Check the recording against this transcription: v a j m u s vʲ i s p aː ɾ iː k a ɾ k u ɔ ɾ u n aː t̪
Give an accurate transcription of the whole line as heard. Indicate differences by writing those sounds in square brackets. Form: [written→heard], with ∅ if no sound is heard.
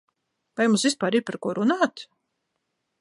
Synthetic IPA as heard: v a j m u s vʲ i s p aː ɾ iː [k→p] a ɾ k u ɔ ɾ u n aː t̪